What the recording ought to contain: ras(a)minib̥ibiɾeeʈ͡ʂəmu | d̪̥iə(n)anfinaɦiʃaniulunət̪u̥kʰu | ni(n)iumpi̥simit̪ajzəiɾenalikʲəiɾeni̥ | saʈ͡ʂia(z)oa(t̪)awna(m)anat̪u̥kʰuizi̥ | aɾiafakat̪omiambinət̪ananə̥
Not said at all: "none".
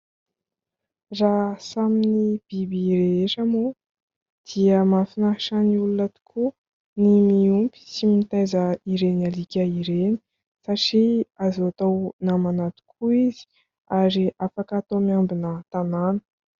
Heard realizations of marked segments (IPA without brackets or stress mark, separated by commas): a, m, m, z, t̪, m